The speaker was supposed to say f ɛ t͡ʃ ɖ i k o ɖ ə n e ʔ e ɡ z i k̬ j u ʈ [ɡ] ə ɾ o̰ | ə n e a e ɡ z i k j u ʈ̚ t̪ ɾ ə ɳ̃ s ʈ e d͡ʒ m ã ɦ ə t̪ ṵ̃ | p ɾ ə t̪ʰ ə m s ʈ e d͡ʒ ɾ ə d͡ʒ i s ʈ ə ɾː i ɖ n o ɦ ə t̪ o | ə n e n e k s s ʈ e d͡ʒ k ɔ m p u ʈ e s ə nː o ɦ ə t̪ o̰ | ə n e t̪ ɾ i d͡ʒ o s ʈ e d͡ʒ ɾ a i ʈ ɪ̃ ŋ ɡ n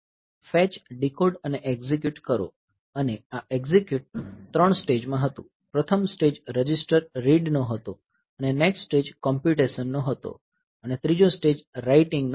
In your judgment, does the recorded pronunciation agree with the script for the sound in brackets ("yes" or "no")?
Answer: no